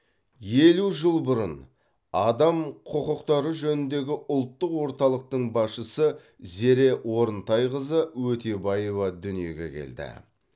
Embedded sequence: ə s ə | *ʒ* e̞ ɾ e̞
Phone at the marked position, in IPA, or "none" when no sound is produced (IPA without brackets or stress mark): z